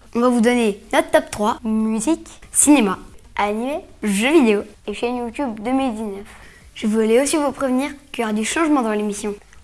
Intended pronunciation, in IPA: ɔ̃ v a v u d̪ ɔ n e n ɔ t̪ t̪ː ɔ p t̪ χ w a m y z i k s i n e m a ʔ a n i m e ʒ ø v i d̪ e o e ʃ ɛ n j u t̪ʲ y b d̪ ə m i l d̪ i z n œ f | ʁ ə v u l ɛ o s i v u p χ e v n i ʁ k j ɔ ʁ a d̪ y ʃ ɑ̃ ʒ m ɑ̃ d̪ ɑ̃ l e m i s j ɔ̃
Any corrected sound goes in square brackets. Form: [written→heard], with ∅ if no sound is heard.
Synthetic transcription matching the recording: ɔ̃ v a v u d̪ ɔ n e n ɔ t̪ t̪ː ɔ p t̪ χ w a m y z i k s i n e m a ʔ a n i m e ʒ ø v i d̪ e o e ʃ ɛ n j u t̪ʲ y b d̪ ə m i l d̪ i z n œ f | [ʁ→ʒ] ə v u l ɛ o s i v u p χ e v n i ʁ k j ɔ ʁ a d̪ y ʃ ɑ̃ ʒ m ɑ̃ d̪ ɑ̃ l e m i s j ɔ̃